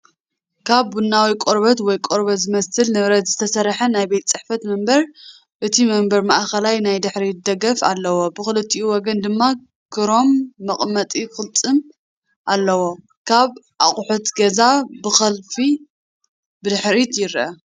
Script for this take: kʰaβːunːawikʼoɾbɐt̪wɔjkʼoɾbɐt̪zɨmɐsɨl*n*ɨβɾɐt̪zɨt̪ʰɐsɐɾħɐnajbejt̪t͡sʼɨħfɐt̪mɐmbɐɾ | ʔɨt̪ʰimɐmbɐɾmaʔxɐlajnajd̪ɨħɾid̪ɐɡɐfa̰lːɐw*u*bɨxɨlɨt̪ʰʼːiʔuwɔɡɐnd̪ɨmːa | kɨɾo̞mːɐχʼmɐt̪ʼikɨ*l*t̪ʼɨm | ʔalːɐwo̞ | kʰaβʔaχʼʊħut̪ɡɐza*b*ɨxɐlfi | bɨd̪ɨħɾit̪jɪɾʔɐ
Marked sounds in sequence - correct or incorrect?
correct, incorrect: o, correct, correct

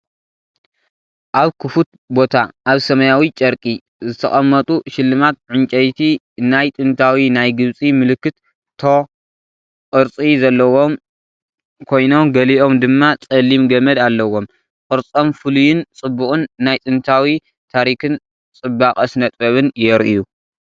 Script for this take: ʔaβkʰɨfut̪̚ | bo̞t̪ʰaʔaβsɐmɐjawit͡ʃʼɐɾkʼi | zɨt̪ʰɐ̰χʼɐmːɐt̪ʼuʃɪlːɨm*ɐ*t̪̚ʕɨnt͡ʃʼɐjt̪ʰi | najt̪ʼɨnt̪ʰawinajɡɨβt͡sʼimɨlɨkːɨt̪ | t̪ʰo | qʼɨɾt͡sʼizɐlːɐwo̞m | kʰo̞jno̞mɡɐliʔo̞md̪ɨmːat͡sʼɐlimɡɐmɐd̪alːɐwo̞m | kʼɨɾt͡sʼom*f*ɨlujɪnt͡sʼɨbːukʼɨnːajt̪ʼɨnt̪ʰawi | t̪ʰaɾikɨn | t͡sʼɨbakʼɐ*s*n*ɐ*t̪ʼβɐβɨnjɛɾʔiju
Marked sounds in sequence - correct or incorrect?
incorrect: a, correct, correct, correct

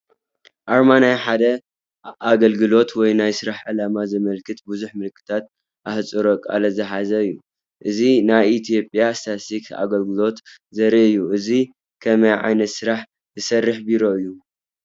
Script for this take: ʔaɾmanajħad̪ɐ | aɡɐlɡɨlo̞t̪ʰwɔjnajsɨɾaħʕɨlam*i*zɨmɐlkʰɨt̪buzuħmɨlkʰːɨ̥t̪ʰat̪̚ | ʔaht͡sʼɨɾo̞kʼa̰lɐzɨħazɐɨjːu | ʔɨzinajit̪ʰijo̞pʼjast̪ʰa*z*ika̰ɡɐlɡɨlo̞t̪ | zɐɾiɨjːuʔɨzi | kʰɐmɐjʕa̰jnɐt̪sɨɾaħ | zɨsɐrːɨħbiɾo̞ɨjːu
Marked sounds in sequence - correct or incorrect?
incorrect: a, incorrect: s

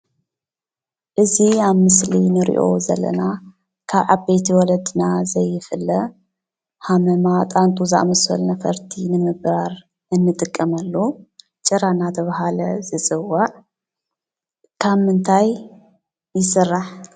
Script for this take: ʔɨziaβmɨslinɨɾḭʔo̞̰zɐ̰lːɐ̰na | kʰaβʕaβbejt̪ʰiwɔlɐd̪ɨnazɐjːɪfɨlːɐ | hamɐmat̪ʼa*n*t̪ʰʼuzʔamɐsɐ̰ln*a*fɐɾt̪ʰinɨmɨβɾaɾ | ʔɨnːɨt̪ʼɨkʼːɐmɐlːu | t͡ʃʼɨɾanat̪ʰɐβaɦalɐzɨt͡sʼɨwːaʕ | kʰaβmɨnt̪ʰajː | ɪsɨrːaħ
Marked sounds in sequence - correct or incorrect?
correct, incorrect: ɐ

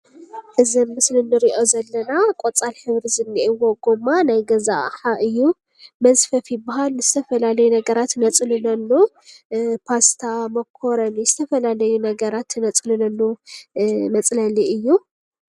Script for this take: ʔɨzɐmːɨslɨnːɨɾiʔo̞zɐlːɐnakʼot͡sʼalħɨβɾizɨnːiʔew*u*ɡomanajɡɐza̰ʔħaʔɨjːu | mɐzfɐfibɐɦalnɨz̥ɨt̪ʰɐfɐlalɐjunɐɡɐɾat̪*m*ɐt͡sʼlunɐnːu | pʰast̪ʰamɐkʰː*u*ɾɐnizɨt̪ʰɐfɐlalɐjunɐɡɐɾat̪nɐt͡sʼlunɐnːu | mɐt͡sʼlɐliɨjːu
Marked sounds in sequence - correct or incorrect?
incorrect: o, incorrect: n, incorrect: o

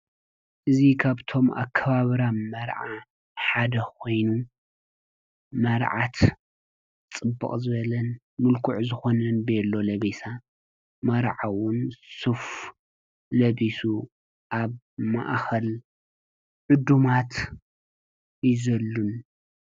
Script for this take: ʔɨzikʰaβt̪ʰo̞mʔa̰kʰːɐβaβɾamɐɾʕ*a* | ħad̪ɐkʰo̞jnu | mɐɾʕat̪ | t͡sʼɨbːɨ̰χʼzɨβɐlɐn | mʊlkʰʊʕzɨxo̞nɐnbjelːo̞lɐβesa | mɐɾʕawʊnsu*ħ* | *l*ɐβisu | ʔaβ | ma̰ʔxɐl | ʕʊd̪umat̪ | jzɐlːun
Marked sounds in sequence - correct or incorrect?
correct, incorrect: f, correct

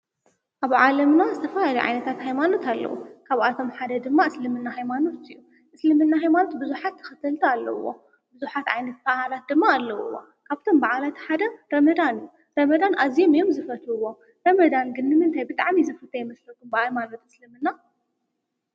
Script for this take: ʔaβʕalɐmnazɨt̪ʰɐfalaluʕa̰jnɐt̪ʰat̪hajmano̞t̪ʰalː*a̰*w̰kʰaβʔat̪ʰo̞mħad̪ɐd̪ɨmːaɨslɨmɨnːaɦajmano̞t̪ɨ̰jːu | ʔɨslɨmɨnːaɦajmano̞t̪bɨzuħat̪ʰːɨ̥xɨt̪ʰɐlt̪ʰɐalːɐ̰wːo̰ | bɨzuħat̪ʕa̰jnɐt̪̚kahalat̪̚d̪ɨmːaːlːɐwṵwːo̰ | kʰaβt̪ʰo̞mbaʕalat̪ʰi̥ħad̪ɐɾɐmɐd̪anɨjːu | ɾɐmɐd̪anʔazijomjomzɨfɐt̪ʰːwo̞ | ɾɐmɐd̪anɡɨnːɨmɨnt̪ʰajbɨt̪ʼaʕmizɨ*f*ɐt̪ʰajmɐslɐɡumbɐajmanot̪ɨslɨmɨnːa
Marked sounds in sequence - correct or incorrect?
incorrect: ɐ̰, correct

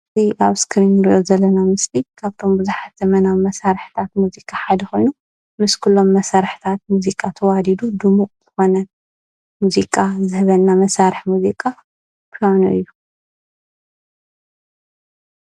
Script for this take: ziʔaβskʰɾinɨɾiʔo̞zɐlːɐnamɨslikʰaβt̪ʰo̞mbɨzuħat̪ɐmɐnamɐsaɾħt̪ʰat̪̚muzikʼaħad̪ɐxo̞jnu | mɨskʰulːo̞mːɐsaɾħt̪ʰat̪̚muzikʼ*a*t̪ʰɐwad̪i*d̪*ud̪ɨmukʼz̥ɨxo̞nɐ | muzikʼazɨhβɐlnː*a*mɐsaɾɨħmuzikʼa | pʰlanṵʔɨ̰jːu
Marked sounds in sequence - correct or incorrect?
correct, correct, correct

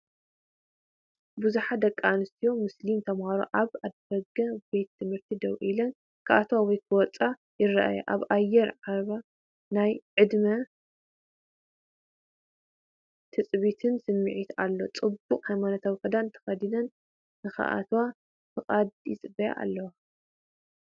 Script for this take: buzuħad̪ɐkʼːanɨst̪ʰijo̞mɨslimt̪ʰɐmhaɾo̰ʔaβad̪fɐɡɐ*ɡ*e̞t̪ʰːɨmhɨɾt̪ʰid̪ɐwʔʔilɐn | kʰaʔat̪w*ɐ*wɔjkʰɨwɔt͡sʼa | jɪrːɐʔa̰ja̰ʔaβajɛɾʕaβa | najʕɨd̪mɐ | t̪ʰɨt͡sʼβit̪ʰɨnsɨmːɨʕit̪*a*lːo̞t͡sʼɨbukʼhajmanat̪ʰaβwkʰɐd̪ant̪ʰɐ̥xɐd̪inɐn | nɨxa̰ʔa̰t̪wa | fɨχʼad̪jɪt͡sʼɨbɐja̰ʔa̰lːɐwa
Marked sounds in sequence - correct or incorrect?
incorrect: b, incorrect: a, correct

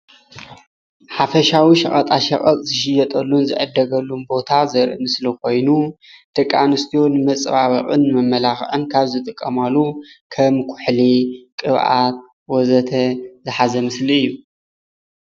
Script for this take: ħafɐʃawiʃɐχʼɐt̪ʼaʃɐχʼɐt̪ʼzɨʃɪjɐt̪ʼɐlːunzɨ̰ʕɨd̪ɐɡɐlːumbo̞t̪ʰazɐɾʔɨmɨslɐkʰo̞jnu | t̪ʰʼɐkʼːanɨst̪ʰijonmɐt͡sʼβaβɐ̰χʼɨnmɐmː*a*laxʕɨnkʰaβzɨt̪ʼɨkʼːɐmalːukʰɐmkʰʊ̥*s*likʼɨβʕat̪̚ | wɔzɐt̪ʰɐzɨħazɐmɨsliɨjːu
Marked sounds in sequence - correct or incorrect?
incorrect: ɐ, incorrect: ħ

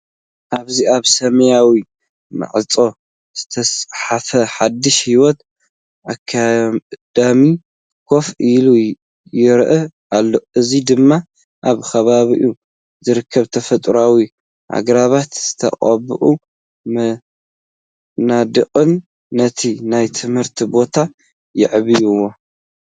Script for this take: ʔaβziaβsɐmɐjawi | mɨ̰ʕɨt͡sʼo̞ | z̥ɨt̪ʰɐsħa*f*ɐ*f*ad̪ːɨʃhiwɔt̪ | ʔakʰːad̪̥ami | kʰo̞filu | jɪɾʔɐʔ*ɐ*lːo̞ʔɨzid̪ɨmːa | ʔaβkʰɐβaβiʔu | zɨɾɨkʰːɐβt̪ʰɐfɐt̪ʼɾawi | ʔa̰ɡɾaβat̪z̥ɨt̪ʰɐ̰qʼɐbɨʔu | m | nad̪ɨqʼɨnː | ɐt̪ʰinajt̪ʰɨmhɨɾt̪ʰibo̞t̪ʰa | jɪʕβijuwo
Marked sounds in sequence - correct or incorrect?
correct, incorrect: ħ, incorrect: a

